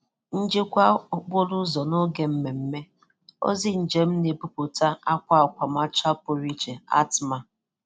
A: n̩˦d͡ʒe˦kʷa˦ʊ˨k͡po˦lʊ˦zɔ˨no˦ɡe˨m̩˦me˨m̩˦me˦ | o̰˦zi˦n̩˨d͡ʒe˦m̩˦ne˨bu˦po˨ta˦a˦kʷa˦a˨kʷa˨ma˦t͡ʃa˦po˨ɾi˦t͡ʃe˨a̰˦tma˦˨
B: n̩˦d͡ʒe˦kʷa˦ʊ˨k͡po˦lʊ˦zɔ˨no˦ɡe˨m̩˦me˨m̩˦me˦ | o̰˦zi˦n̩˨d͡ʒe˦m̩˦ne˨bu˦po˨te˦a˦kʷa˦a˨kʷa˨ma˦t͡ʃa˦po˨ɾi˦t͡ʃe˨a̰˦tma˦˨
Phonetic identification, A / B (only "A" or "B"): A